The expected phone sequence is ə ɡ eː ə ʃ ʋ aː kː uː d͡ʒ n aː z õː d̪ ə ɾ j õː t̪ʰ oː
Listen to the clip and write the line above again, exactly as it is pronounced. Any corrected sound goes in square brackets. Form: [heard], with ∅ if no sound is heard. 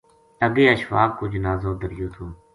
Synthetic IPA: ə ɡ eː ə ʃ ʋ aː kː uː d͡ʒ n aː z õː d̪ ə ɾ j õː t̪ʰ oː